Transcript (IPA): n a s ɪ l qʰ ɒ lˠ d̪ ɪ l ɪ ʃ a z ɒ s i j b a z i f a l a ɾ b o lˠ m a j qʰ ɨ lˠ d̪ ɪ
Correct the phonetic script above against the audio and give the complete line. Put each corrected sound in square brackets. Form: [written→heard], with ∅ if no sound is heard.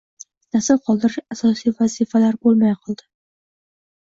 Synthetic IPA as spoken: n a s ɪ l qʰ ɒ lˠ d̪ ɪ [l→ɾ] ɪ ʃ a [z→s] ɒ s i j [b→v] a z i f a l a ɾ b o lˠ m a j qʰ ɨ lˠ d̪ ɪ